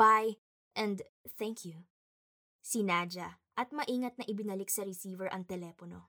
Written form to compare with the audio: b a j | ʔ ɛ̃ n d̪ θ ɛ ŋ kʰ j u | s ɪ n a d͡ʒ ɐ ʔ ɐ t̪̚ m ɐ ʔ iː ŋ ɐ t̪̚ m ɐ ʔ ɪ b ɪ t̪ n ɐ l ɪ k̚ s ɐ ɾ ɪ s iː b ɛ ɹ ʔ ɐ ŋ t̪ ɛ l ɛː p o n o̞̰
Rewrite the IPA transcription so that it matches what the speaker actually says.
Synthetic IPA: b a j | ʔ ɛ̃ n d̪ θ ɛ ŋ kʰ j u | s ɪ n a d͡ʒ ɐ ʔ ɐ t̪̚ m ɐ ʔ iː ŋ ɐ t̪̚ n ɐ ʔ ɪ b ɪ n ɐ l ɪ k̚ s ɐ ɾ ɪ s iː v ɛ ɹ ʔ ɐ ŋ t̪ ɛ l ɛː p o n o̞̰